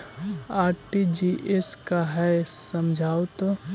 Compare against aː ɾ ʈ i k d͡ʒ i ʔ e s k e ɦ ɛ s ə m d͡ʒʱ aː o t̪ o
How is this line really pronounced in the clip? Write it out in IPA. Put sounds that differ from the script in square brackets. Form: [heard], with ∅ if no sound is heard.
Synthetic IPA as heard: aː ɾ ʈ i [∅] d͡ʒ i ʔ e s k [a] ɦ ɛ s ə m d͡ʒʱ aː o t̪ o